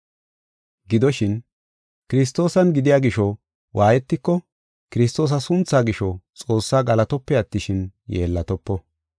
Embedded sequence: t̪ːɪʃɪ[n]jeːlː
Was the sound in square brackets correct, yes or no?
yes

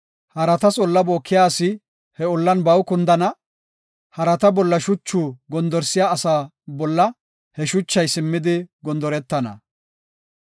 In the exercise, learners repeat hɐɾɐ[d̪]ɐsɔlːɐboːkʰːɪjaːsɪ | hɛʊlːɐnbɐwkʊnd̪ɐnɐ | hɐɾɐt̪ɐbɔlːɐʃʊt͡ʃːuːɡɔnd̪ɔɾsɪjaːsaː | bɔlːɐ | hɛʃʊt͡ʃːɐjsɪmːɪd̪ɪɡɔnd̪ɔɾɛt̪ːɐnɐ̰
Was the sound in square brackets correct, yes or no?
no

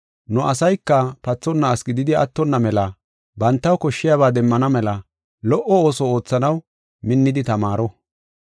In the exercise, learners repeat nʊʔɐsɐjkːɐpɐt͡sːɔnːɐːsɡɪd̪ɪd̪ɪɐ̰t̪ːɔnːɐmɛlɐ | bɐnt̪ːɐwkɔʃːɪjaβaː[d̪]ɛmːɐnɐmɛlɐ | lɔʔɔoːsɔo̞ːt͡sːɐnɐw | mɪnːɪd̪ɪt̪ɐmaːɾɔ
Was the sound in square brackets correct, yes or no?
yes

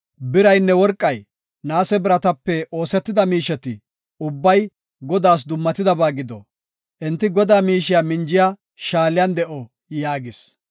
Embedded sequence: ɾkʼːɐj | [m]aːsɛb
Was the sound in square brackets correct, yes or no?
no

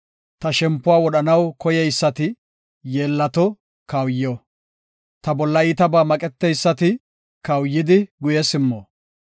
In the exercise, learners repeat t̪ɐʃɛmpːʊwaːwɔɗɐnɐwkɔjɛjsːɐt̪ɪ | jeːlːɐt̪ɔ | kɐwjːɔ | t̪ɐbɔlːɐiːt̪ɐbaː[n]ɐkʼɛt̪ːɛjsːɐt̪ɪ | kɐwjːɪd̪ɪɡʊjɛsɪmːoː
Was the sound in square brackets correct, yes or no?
no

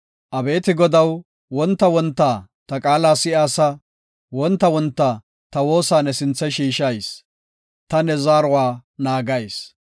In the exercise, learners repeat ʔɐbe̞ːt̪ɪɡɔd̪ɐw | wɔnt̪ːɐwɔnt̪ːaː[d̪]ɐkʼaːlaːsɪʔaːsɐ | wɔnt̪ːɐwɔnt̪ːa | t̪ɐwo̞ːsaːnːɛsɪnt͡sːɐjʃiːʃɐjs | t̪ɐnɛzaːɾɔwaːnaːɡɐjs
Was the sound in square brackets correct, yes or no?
no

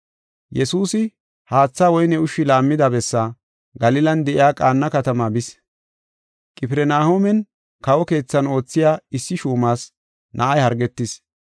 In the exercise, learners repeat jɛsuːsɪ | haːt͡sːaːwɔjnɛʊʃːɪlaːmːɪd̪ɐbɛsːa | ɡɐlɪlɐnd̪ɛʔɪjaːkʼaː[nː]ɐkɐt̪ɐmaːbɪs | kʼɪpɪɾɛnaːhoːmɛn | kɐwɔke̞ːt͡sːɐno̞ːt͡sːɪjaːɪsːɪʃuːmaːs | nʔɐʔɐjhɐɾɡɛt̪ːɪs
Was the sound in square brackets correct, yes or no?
yes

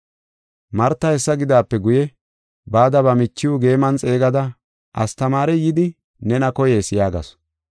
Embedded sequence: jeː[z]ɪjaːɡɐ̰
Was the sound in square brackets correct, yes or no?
no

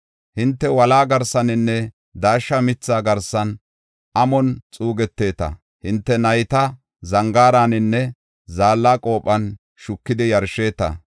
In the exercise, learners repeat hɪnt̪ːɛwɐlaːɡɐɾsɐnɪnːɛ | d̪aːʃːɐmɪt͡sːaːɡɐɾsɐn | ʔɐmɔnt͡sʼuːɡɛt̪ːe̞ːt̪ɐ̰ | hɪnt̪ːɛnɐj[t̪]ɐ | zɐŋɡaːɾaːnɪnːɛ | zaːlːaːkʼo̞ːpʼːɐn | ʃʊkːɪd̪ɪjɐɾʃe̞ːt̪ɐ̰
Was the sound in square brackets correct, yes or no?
yes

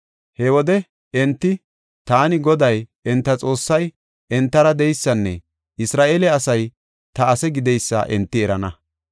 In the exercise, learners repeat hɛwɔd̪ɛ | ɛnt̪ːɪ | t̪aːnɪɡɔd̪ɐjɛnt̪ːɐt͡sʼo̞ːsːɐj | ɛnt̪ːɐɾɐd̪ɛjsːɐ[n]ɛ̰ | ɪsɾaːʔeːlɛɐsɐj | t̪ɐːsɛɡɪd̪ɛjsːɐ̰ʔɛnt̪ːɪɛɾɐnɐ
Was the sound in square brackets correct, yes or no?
no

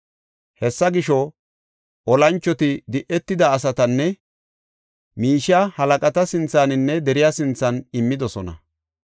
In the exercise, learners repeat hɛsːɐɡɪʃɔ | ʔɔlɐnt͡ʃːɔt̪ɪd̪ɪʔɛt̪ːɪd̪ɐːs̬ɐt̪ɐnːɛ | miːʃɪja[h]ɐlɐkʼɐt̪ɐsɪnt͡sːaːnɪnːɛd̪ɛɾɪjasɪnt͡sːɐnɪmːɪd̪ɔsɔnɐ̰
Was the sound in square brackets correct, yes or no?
yes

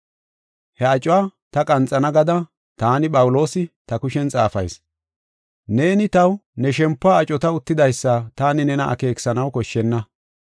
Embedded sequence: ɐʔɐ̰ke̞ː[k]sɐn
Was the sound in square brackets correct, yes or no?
yes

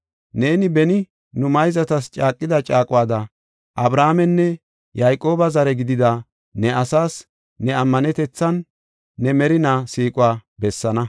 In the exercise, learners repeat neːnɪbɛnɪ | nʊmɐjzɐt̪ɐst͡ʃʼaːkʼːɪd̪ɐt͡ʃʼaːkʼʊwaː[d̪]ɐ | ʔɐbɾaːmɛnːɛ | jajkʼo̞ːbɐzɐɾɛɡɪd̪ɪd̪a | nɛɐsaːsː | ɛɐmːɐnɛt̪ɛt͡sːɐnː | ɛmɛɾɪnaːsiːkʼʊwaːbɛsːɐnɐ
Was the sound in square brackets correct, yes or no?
yes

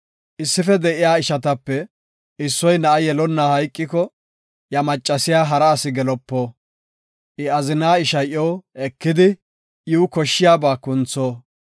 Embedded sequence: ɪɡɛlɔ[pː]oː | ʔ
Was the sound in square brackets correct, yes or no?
yes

